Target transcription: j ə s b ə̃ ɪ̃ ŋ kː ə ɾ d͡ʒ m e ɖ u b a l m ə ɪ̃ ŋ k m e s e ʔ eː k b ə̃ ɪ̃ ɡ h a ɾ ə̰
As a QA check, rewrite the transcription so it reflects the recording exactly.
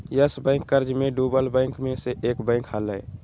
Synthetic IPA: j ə s b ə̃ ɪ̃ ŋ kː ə ɾ d͡ʒ m e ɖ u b ə l b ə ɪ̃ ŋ k m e s e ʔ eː k b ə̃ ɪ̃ k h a l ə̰